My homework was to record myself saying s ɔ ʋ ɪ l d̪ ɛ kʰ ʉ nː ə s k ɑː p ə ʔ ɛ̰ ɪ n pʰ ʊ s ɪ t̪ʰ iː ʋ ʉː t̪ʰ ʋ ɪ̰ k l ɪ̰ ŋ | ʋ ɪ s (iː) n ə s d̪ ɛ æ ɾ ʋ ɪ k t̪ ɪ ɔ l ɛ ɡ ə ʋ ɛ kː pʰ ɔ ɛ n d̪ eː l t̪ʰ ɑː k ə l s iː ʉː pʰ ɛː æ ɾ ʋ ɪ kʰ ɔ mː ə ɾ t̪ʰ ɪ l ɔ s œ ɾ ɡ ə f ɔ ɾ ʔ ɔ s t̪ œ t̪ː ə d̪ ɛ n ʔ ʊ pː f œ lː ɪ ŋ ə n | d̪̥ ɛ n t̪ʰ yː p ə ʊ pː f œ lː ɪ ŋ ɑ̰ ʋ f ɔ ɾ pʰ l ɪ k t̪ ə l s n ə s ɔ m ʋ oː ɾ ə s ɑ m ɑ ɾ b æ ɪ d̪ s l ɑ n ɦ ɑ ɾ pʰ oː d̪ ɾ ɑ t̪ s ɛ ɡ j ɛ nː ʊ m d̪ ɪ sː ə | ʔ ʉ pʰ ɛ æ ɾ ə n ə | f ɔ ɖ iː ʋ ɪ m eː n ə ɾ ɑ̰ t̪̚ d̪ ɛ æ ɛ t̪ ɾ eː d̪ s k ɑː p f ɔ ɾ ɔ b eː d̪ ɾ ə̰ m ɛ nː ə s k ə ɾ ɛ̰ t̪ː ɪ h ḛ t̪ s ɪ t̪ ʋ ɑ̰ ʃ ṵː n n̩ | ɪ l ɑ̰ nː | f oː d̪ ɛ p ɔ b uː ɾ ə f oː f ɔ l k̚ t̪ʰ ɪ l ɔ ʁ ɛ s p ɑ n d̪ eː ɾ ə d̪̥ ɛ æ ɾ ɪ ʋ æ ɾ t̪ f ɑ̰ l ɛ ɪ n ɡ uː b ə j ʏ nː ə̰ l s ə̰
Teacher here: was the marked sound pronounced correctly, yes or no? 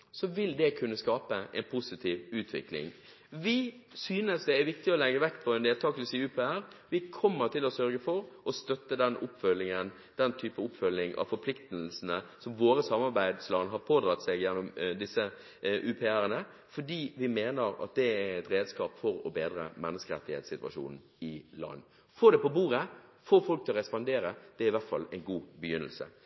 no